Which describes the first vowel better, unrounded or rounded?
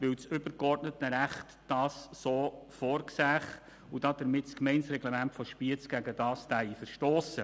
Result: unrounded